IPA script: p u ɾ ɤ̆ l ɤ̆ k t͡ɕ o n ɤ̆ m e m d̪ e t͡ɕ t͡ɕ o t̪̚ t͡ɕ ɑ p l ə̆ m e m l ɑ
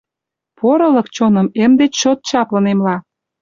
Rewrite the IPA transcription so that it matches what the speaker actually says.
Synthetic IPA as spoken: p o ɾ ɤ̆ l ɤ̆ k t͡ɕ o n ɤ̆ m e m d̪ e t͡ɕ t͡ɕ o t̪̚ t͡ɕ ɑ p l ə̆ n e m l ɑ